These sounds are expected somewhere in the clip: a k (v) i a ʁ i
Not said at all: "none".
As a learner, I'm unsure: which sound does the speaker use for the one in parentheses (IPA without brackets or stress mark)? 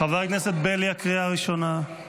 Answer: ʁ